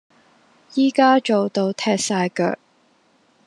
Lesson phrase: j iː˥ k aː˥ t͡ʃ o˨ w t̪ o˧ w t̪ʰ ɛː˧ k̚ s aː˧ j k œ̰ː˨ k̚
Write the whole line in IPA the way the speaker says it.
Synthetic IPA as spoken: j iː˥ k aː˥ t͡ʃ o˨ w t̪ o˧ w t̪ʰ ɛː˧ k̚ s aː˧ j k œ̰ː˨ k̚

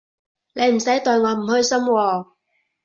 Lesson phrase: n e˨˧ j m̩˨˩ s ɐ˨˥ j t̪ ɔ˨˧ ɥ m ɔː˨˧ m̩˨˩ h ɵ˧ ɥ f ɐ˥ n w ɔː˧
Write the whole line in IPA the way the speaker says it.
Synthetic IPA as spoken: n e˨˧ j m̩˨˩ s ɐ˨˥ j t̪ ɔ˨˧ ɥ ŋ ɔː˨˧ m̩˨˩ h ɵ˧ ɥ s ɐ˥ m w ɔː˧

